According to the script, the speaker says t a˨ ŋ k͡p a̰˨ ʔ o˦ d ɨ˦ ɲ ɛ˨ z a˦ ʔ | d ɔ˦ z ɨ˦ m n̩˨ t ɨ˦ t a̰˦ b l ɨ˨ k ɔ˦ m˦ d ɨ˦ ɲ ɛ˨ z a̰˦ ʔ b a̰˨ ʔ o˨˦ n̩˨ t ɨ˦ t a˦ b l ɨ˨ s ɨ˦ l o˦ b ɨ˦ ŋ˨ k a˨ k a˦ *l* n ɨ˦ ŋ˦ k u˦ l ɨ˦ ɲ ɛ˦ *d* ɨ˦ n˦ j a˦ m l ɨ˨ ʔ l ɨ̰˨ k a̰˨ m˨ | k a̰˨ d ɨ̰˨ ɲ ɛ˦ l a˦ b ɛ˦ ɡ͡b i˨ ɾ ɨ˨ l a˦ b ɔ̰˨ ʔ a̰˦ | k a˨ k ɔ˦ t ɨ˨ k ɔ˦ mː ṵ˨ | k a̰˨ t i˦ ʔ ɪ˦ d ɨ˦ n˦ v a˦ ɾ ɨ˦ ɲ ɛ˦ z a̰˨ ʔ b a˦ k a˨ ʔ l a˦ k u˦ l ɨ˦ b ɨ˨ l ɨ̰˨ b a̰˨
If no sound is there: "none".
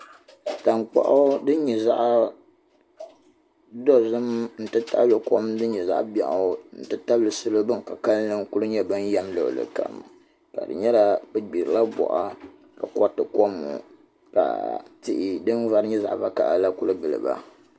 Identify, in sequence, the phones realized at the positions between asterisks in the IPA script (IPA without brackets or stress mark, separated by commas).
l, b